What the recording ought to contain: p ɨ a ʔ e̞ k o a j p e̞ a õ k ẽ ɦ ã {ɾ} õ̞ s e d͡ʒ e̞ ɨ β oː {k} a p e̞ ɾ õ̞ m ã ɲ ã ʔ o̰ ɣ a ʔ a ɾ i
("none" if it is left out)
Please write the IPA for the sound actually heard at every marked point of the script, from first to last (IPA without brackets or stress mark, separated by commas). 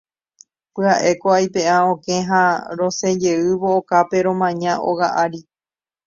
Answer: ɾ, k